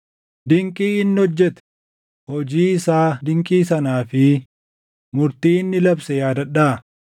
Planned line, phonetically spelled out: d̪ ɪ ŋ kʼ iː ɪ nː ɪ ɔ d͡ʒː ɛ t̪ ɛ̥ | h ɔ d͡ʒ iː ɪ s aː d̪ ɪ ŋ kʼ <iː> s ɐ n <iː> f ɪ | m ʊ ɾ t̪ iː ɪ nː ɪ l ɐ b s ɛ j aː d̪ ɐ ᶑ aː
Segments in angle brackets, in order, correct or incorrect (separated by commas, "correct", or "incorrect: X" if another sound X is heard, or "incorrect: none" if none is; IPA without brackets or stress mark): correct, incorrect: aː